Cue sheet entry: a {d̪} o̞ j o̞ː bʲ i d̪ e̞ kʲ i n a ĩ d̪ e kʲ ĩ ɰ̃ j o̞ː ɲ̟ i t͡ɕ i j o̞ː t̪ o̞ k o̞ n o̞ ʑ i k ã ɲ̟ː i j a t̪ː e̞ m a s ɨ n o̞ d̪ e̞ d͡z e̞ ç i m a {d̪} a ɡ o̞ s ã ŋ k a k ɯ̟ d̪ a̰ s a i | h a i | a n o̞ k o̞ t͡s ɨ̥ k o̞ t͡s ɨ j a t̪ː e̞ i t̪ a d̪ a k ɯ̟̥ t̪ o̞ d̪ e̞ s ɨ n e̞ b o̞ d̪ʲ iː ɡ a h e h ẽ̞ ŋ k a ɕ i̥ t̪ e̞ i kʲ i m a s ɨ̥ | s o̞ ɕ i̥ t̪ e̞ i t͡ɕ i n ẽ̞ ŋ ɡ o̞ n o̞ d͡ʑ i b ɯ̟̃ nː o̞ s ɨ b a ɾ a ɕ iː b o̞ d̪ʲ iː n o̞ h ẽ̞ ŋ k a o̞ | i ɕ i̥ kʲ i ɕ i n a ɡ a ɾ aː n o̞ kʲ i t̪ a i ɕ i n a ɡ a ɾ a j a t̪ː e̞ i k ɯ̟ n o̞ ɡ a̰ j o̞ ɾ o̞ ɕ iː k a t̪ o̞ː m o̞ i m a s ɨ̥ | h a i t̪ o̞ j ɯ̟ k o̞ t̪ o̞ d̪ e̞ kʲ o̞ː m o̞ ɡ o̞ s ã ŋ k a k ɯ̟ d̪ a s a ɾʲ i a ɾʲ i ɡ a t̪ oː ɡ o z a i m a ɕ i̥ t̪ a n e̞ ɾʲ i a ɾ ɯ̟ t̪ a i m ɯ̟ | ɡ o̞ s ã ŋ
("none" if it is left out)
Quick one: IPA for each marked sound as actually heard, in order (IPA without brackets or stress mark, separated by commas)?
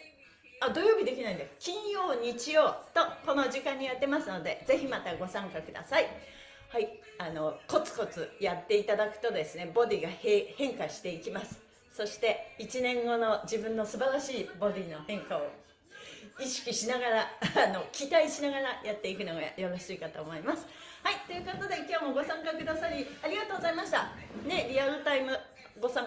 d̪, t̪